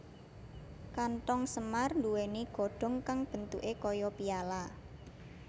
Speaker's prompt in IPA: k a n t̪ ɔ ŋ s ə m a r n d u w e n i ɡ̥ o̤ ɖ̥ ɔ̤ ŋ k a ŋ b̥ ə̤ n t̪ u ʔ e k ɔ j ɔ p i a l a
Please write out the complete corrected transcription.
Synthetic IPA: k a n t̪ ɔ ŋ s ə m a r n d u w e n i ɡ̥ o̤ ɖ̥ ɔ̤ ŋ k a ŋ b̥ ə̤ n t̪ u ʔ e k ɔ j ɔ p i a l a